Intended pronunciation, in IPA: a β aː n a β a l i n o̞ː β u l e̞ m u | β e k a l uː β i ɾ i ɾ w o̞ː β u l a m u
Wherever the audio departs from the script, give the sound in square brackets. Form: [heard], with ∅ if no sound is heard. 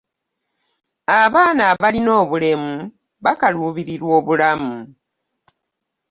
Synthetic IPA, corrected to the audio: a β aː n a β a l i n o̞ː β u l e̞ m u | β [a] k a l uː β i ɾ i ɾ w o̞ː β u l a m u